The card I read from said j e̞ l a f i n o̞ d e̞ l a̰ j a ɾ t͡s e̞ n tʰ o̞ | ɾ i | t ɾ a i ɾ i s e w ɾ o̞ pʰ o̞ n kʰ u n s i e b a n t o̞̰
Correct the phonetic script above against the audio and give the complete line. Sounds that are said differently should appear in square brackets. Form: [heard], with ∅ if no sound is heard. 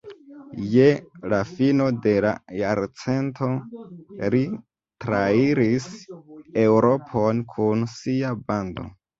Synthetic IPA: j e̞ l a f i n o̞ d e̞ l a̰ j a ɾ t͡s e̞ n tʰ o̞ | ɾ i | t ɾ a i ɾ i s e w ɾ o̞ pʰ o̞ n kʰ u n s i [a] b a n [d] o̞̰